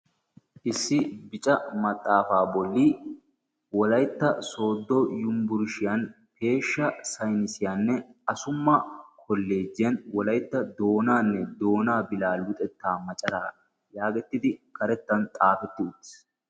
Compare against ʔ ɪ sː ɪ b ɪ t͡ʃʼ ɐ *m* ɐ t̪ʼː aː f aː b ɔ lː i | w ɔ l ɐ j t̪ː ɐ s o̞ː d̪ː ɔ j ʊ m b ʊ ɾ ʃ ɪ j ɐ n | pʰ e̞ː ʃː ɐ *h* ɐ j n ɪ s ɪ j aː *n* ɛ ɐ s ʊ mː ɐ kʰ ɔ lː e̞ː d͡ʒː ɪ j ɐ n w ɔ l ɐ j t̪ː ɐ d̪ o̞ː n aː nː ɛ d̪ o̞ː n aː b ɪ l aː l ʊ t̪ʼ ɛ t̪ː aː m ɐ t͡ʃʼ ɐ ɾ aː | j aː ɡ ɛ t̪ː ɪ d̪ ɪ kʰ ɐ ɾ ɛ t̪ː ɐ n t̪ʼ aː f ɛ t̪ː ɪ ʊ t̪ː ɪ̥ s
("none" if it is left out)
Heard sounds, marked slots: m, s, nː

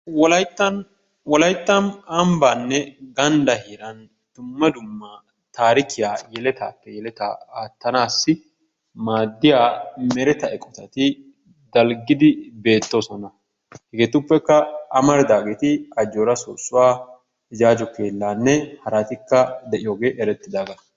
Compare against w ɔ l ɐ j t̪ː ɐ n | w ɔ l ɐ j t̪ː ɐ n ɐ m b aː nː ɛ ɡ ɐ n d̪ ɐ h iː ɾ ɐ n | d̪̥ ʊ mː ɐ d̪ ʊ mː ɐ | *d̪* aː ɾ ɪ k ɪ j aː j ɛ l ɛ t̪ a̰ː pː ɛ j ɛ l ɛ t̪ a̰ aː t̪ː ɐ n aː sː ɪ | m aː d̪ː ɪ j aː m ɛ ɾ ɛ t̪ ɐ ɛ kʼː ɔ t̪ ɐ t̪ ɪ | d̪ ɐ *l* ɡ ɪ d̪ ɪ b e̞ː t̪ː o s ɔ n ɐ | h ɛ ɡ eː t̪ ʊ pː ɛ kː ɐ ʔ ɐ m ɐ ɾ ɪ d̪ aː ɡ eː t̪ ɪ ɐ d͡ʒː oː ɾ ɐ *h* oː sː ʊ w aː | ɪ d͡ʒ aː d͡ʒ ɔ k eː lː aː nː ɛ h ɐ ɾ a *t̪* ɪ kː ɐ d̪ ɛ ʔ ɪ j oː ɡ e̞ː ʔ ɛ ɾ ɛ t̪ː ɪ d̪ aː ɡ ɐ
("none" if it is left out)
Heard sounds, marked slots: t̪, l, s, t̪

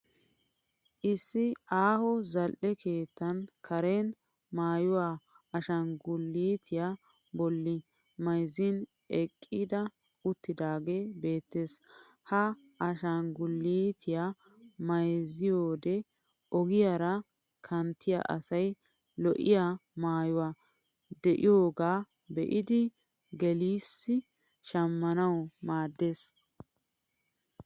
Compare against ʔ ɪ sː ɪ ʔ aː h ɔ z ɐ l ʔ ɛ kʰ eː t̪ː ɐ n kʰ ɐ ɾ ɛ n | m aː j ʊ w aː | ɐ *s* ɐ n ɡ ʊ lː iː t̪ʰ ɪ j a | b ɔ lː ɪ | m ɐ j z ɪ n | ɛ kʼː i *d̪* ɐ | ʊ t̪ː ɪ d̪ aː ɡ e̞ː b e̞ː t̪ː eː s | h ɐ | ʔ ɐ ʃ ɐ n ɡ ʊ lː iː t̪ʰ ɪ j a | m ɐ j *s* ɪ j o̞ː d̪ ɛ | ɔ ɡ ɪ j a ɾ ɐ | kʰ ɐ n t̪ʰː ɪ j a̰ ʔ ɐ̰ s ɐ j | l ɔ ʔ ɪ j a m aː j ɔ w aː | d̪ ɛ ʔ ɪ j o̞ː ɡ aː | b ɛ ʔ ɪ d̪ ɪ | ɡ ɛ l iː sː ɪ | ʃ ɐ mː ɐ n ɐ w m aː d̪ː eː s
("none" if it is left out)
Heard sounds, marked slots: ʃ, d̪, z

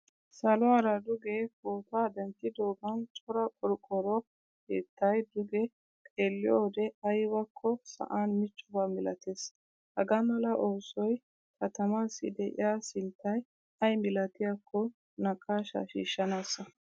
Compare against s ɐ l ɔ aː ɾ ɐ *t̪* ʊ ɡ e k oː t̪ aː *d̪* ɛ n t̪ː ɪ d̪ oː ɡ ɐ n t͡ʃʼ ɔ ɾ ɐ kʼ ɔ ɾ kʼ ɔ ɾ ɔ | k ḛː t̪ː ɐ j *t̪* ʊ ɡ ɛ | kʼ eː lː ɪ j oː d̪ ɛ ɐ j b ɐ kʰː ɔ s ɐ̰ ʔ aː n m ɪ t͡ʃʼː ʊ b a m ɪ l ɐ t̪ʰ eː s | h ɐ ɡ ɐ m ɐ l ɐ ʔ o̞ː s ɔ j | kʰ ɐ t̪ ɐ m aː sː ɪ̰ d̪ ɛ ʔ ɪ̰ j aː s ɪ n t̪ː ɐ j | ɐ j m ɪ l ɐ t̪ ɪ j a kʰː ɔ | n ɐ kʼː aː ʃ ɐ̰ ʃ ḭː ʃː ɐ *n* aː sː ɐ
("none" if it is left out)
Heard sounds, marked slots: d̪, d̪, d̪, n

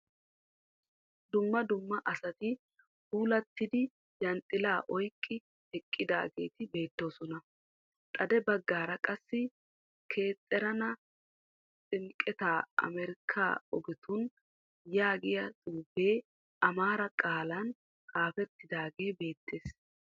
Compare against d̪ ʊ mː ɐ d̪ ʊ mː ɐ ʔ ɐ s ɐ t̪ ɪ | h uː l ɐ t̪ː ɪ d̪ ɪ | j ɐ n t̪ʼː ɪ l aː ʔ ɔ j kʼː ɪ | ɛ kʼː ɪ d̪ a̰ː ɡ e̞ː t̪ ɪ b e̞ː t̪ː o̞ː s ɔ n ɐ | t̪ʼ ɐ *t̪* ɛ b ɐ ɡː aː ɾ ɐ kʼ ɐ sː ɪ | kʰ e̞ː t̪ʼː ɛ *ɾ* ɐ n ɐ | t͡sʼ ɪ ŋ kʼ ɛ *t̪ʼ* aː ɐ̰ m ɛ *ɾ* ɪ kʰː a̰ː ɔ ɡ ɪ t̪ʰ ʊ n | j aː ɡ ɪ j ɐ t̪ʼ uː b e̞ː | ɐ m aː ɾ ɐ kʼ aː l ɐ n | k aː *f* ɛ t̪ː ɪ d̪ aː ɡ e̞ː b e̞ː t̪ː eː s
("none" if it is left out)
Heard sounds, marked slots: d̪, ɾ, t̪, ɾ, f

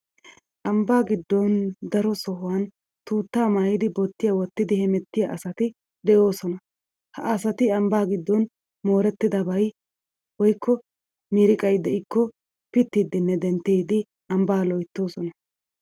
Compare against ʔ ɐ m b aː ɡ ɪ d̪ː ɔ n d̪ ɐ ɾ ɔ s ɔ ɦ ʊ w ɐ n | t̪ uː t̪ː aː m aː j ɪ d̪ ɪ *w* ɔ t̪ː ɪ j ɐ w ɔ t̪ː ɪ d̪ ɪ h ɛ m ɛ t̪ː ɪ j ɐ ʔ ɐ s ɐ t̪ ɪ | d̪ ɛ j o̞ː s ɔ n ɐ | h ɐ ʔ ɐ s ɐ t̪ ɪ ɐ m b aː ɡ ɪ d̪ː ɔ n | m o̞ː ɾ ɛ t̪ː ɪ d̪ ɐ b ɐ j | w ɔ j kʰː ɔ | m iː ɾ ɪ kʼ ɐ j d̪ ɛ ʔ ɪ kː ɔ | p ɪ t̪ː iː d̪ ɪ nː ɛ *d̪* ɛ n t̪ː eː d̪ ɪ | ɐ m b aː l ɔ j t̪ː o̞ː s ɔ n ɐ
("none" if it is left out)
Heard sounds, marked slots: b, d̪

